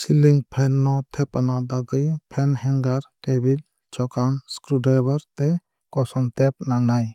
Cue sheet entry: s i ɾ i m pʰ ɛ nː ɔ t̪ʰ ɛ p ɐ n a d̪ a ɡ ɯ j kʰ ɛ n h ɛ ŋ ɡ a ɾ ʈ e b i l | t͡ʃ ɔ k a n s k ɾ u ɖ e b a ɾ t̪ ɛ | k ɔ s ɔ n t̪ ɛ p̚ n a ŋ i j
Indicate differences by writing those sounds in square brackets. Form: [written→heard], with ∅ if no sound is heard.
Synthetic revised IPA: s i [ɾ→l] i [m→ŋ] pʰ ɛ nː ɔ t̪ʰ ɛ p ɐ n a d̪ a ɡ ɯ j [kʰ→pʰ] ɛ n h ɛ ŋ ɡ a ɾ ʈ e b i l | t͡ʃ ɔ k a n s k ɾ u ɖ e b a ɾ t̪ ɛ | k ɔ s ɔ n t̪ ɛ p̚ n a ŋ [i→a] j